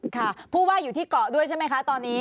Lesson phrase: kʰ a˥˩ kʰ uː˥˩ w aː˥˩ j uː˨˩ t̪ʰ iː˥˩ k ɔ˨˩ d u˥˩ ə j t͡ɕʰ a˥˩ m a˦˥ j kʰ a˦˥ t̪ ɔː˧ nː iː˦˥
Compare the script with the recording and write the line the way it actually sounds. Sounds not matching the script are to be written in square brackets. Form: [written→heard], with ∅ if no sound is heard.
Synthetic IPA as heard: kʰ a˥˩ [kʰ→pʰ] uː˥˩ w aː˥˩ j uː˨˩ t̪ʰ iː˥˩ k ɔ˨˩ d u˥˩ ə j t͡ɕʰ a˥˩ m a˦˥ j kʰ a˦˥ t̪ ɔː˧ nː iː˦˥